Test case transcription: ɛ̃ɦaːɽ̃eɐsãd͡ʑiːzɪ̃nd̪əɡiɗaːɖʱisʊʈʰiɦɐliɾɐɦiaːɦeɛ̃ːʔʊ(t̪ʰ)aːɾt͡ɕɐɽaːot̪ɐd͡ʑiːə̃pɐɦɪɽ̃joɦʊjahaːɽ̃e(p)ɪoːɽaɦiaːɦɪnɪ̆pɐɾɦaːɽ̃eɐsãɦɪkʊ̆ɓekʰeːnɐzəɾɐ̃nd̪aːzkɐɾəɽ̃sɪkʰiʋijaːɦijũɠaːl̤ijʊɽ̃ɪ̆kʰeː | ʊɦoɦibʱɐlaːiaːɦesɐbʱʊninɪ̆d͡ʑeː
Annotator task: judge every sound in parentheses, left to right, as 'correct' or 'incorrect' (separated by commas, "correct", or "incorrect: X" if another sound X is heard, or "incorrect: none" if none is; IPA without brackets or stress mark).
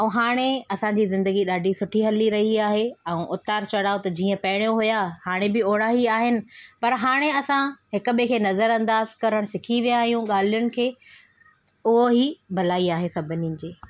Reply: incorrect: t̪, incorrect: b